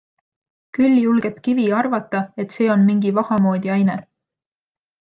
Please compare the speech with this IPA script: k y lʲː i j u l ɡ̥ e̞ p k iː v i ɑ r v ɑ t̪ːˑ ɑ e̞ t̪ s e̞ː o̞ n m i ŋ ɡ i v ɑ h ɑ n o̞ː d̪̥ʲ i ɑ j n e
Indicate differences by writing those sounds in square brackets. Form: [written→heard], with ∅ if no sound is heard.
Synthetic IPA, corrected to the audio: k y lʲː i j u l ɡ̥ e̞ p k [iː→i] v i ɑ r v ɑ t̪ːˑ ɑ e̞ t̪ s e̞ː o̞ n m i ŋ ɡ i v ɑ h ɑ [n→m] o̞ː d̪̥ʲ i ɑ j n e

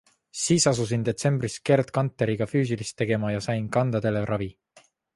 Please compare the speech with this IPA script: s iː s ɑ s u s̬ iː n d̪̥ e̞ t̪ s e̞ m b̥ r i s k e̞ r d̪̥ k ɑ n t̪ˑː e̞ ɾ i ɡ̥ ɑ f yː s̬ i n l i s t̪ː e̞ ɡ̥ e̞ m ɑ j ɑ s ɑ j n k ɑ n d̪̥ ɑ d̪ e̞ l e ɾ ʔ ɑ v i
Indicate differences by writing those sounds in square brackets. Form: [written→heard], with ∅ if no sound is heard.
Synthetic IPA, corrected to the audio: s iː s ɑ s u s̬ [iː→i] n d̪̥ e̞ t̪ s e̞ m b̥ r i s k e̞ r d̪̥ k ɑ n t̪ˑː e̞ ɾ i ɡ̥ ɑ f yː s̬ i [n→∅] l i s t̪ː e̞ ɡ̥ e̞ m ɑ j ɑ s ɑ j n k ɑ n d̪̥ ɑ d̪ e̞ l e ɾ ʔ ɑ v i

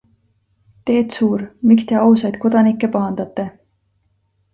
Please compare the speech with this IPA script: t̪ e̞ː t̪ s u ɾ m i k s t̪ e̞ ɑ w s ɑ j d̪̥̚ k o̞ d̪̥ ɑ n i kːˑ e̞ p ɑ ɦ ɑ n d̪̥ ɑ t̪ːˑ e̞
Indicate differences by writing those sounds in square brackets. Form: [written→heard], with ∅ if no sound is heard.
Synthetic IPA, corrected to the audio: t̪ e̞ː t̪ s [u→uː] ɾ m i k s t̪ e̞ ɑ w s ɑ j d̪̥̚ k o̞ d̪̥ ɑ n i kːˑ e̞ p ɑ ɦ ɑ n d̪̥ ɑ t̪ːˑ e̞

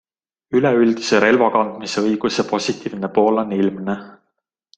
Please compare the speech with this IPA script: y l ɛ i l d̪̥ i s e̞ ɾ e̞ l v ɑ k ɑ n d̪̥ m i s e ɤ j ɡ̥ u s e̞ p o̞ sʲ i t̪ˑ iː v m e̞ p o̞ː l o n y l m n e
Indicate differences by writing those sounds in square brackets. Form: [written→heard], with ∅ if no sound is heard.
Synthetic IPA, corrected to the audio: y l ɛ [i→y] l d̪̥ i s e̞ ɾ e̞ l v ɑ k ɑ n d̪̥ m i s e ɤ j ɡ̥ u s e̞ p o̞ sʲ i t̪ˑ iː v [m→n] e̞ p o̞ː l o n [y→i] l m n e

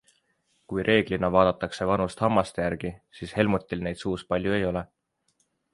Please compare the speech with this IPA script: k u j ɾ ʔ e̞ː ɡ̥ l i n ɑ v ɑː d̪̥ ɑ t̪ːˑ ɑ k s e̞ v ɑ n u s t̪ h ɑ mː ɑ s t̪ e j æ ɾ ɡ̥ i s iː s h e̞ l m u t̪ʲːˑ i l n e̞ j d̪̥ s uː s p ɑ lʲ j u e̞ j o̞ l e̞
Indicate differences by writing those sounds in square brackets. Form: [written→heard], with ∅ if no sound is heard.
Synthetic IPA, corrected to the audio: k u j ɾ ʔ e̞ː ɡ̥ l i n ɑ v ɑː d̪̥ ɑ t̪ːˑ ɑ k s e̞ v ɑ n u s t̪ h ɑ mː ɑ s t̪ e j æ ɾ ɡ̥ i s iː s h e̞ l m u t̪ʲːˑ i l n e̞ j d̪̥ s uː s p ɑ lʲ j u e̞ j o̞ l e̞

